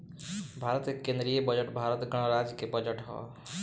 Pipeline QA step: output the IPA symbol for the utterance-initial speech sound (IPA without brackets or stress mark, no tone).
bʱ